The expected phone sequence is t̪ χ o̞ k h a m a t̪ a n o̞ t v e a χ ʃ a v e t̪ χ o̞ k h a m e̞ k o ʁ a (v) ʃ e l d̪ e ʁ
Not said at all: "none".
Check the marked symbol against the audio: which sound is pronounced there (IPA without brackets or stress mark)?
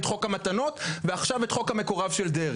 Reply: v